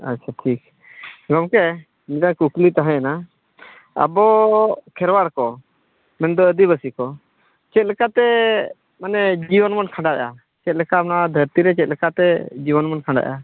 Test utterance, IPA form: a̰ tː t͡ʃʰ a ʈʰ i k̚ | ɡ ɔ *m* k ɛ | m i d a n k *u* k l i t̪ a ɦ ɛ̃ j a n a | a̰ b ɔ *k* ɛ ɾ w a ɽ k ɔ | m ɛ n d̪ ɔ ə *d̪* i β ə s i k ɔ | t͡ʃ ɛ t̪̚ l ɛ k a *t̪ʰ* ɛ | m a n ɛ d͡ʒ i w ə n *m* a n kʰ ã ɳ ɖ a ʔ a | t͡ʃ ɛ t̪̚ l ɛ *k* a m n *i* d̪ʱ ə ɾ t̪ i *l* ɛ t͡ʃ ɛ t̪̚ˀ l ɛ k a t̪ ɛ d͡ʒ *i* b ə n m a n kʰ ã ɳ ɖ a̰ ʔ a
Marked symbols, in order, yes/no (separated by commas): yes, yes, no, yes, no, yes, yes, no, no, yes